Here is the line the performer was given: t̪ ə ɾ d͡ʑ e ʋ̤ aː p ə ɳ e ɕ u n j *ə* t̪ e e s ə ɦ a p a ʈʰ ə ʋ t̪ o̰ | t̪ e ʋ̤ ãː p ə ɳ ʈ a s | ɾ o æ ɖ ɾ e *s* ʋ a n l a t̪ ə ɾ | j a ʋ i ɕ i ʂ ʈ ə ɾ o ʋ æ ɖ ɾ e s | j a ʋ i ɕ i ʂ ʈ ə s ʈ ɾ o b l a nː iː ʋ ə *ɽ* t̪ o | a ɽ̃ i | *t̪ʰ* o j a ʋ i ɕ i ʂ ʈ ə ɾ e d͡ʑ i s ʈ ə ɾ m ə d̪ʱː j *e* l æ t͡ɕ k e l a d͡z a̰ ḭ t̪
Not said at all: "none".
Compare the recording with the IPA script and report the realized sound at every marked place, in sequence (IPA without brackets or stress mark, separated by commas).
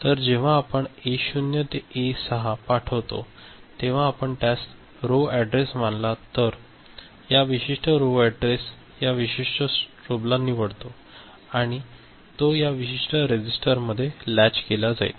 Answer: ə, s, ɽ, t̪, e